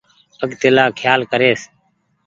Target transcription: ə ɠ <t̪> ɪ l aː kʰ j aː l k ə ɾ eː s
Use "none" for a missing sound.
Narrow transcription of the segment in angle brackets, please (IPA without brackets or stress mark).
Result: t̪